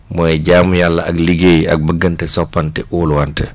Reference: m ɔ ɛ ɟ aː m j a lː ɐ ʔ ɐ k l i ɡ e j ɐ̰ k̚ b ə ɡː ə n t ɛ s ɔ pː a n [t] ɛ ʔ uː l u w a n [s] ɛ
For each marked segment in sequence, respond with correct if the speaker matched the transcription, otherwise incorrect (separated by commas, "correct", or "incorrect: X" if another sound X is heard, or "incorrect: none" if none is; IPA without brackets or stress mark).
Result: correct, incorrect: t